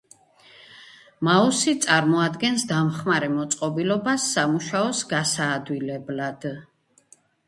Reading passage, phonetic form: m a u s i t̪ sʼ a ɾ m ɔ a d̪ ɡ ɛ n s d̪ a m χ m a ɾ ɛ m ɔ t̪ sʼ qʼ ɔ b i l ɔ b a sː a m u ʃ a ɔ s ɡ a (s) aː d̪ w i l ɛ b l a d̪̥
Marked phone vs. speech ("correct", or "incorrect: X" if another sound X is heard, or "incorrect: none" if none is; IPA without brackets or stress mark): correct